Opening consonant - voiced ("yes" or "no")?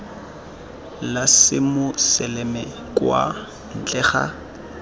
yes